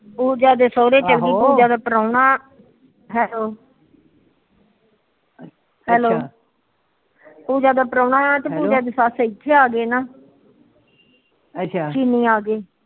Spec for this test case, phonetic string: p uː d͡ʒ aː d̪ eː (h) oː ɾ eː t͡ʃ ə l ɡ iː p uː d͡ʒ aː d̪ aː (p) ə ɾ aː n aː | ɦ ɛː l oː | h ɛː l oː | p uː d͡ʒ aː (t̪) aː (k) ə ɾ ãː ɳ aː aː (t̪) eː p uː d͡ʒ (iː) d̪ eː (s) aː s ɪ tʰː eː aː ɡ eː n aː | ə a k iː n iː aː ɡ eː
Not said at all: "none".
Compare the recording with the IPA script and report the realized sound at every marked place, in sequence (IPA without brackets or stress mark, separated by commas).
s, p, d̪, p, t̪, aː, s